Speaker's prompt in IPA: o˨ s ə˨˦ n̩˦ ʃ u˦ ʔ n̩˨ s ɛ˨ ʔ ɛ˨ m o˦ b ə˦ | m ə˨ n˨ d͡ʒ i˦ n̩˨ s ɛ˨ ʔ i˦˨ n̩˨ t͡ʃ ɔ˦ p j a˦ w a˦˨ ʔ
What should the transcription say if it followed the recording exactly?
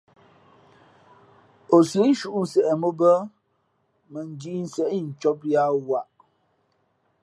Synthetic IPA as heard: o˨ s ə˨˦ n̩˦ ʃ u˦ ʔ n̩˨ s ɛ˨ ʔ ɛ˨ m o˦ b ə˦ | m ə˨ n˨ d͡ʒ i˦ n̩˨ s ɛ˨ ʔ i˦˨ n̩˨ t͡ʃ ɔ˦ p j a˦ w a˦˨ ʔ